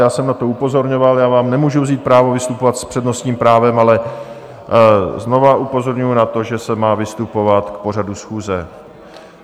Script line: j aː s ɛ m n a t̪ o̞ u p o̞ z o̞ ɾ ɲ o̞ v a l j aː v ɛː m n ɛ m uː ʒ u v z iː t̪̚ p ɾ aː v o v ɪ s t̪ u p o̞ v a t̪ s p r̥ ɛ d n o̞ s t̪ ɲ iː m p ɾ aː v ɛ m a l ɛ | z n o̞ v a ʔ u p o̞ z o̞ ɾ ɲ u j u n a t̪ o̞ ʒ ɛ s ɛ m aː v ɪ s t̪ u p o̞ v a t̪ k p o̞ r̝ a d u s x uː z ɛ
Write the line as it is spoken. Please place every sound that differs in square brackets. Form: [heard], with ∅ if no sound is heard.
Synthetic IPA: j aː s ɛ m n a t̪ o̞ u p o̞ z o̞ ɾ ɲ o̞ v a l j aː v [aː] m n ɛ m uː ʒ u v z iː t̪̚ p ɾ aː v o v ɪ s t̪ u p o̞ v a t̪ s p r̥ ɛ d n o̞ s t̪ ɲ iː m p ɾ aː v ɛ m a l ɛ | z n o̞ v a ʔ u p o̞ z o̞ ɾ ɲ u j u n a t̪ o̞ ʒ ɛ s ɛ m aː v ɪ s t̪ u p o̞ v a t̪ k p o̞ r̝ a d u s x uː z ɛ